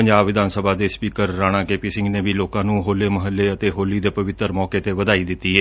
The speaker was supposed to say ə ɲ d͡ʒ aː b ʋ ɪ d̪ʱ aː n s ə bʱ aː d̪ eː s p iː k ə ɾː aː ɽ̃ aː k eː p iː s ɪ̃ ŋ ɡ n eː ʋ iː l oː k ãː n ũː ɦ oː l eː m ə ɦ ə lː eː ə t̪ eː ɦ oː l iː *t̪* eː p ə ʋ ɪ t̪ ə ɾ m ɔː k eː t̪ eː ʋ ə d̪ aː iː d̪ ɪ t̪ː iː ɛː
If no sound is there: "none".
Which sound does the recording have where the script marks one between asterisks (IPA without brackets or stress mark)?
d̪